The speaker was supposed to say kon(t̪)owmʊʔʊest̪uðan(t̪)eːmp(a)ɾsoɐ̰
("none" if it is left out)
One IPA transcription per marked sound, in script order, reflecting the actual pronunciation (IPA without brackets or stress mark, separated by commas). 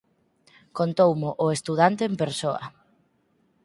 t̪, t̪, e